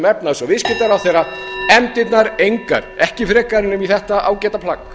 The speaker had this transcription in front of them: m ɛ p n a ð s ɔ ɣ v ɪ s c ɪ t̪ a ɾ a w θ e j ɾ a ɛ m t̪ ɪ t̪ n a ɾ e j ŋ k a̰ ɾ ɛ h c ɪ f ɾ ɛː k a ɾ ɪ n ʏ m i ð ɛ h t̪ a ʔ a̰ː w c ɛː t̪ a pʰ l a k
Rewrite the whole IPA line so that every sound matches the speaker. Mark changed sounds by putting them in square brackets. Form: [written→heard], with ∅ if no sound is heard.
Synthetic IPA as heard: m ɛ p n a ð s ɔ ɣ v ɪ s c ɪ t̪ a ɾ a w θ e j ɾ a ɛ m t̪ ɪ t̪ n a ɾ e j ŋ k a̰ ɾ ɛ h c ɪ f ɾ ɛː k a ɾ ɪ n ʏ m i [ð→θ] ɛ h t̪ a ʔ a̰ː w c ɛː t̪ a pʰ l a k